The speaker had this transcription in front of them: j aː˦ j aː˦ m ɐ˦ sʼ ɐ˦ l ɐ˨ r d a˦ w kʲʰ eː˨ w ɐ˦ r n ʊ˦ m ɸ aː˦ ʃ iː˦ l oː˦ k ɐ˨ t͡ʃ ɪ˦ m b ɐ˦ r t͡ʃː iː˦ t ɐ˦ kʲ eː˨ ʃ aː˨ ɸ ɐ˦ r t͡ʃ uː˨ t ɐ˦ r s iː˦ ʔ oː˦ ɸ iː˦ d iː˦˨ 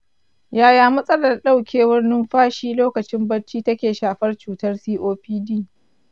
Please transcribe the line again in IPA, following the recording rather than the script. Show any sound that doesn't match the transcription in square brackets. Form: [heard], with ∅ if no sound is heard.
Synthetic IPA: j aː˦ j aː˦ m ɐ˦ sʼ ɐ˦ l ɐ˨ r [ɗ] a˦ w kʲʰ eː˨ w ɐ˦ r n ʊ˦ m ɸ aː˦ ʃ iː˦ l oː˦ k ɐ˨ t͡ʃ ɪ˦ m b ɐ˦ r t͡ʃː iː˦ t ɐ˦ kʲ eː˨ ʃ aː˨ ɸ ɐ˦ r t͡ʃ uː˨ t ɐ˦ r s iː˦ ʔ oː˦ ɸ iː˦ d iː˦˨